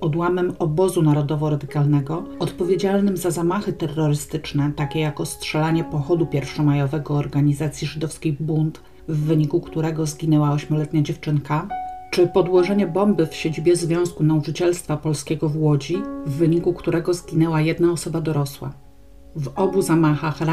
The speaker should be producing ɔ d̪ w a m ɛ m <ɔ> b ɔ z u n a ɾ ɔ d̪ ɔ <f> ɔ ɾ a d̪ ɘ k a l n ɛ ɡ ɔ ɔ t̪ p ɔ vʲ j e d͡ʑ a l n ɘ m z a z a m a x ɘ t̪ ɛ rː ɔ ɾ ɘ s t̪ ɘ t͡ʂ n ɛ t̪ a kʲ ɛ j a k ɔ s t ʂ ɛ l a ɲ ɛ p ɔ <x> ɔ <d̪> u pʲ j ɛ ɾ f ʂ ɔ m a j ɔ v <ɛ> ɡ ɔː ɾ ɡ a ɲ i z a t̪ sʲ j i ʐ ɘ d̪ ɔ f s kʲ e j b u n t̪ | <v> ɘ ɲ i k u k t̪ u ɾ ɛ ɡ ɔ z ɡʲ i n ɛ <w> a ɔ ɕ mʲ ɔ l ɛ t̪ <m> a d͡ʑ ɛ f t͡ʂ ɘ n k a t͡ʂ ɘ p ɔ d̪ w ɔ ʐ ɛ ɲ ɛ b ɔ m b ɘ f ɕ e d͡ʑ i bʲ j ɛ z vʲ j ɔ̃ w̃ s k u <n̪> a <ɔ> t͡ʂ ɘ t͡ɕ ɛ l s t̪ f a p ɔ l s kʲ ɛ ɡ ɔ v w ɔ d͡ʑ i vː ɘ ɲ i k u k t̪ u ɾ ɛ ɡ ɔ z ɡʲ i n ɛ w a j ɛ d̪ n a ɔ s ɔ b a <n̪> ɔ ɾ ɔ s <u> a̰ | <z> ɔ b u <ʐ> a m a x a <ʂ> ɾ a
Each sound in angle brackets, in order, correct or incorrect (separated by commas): correct, incorrect, correct, correct, correct, incorrect, correct, incorrect, correct, incorrect, incorrect, incorrect, incorrect, incorrect, incorrect